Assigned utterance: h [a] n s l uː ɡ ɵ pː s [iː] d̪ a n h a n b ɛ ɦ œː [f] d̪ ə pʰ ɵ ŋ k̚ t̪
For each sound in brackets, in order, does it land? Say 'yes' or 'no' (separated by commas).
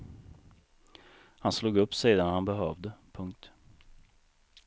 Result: yes, yes, no